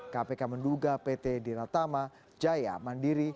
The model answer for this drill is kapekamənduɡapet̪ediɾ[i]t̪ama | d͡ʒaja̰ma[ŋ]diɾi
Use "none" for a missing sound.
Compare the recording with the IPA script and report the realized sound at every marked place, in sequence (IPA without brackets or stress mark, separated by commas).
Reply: a, n